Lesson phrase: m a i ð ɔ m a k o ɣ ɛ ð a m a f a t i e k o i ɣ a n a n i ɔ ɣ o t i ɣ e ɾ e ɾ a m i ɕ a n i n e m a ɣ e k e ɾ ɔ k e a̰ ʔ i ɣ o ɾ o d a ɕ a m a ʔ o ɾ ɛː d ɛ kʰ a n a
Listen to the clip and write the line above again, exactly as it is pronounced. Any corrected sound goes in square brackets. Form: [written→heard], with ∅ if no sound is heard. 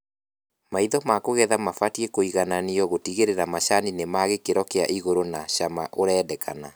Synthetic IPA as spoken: m a i ð ɔ m a k o ɣ ɛ ð a m a f a t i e k o i ɣ a n a n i ɔ ɣ o t i ɣ e ɾ e ɾ a m [i→a] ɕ a n i n e m a ɣ e k e ɾ ɔ k e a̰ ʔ i ɣ o ɾ o [d→n] a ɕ a m a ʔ o ɾ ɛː d ɛ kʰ a n a